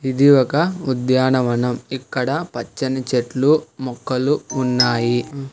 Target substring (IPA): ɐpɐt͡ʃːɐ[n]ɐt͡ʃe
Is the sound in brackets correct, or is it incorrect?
correct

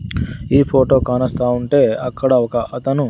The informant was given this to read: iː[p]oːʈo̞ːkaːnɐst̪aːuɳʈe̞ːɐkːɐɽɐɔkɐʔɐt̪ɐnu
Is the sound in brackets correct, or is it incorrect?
incorrect: pʰ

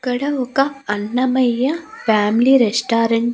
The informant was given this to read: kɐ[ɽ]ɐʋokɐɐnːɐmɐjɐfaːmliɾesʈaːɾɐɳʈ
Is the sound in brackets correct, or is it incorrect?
correct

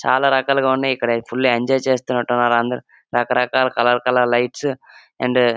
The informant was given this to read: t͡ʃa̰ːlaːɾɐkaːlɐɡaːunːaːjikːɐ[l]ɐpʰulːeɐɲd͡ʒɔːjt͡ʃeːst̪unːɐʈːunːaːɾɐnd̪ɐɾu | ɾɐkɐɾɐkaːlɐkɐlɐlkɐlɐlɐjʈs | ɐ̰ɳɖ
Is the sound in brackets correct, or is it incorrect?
incorrect: ɽ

